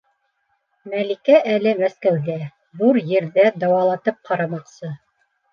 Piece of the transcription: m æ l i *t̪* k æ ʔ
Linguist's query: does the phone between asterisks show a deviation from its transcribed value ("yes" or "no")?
yes